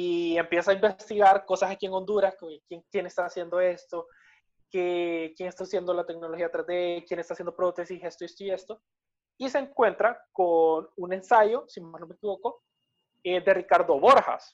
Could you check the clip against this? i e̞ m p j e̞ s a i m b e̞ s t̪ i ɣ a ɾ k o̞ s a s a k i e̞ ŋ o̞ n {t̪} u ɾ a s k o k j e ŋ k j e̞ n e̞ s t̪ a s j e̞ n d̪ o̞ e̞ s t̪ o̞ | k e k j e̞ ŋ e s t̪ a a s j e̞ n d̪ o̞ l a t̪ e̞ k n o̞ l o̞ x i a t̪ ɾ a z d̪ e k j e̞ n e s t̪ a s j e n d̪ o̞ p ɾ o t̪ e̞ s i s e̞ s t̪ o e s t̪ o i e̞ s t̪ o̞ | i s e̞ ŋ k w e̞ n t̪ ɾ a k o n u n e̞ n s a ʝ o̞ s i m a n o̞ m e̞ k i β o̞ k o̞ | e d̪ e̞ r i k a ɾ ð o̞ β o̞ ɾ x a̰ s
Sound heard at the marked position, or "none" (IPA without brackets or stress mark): d̪